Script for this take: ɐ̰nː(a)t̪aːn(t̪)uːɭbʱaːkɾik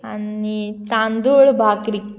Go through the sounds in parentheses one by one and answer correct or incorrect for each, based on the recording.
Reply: incorrect, incorrect

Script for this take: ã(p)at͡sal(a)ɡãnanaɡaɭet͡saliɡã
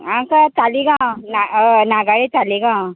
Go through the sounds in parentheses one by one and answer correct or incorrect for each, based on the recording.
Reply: incorrect, incorrect

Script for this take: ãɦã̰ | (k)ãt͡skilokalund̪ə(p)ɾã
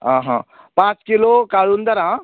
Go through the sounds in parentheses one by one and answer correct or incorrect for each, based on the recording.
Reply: incorrect, incorrect

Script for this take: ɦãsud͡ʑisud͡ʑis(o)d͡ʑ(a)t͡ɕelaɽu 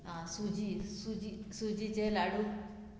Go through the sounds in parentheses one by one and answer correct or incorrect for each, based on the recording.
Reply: incorrect, incorrect

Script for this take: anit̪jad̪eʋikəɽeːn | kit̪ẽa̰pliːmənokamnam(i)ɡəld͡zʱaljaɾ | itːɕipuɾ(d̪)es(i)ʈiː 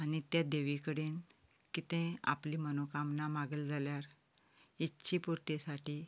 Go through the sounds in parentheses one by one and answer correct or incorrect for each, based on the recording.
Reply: incorrect, incorrect, incorrect

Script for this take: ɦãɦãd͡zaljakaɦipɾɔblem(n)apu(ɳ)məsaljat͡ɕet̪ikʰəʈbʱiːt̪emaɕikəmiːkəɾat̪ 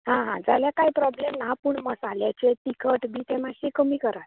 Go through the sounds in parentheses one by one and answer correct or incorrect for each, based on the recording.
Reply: correct, correct

